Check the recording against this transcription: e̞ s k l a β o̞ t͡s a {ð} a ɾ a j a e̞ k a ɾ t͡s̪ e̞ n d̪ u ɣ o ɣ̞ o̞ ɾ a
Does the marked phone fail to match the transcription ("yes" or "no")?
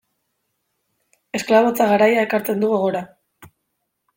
yes